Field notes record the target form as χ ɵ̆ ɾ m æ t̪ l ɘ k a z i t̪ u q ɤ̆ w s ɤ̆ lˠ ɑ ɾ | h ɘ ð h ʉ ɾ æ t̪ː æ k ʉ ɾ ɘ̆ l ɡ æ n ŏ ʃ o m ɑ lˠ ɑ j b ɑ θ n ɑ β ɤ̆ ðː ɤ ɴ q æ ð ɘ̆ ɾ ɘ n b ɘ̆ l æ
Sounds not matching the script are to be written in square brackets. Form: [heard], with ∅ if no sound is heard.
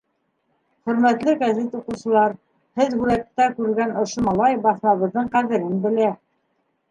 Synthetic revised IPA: χ ɵ̆ ɾ m æ t̪ l ɘ [ɡ] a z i t̪ u q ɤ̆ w s ɤ̆ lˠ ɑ ɾ | h ɘ ð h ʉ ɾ æ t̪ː æ k ʉ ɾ ɘ̆ l ɡ æ n ŏ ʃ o m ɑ lˠ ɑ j b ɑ θ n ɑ β ɤ̆ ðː ɤ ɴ q æ ð ɘ̆ ɾ ɘ n b ɘ̆ l æ